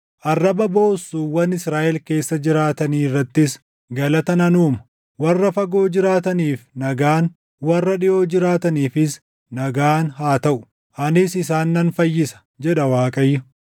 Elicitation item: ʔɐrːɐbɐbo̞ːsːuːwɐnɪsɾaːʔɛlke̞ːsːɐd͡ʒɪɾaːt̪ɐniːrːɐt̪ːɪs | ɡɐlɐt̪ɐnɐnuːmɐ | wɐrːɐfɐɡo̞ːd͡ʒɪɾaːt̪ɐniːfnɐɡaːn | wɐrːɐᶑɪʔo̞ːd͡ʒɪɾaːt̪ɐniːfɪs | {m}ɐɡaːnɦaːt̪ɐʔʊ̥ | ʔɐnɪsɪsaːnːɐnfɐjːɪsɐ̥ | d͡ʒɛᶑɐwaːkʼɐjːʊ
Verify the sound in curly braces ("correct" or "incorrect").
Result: incorrect